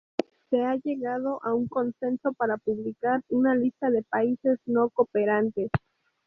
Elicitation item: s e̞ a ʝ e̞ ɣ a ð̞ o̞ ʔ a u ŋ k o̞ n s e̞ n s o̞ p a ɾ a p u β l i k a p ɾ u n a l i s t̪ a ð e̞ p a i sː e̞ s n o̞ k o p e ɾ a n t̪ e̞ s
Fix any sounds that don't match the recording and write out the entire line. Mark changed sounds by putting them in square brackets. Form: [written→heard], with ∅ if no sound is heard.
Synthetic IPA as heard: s e̞ a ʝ e̞ ɣ a ð̞ o̞ ʔ a u ŋ k o̞ n s e̞ n s o̞ p a ɾ a p u β l i k a [p→∅] ɾ u n a l i s t̪ a ð e̞ p a i [sː→s] e̞ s n o̞ k o p e ɾ a n t̪ e̞ s